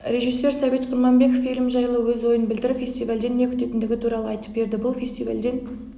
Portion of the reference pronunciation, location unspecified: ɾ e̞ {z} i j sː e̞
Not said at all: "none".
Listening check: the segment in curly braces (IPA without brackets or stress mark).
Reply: ʒ